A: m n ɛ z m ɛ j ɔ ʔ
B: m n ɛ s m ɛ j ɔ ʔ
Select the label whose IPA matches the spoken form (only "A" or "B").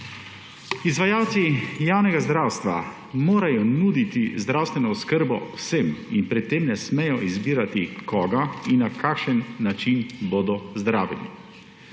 B